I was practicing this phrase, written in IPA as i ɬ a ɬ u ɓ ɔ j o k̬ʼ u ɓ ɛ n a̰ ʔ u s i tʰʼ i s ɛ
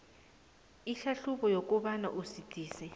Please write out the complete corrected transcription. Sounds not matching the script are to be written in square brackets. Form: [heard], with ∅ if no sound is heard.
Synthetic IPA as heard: i ɬ a ɬ u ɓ ɔ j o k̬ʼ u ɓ [a] n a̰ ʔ u s i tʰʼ [iː] s ɛ